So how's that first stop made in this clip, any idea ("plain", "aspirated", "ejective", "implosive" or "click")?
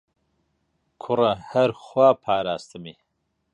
aspirated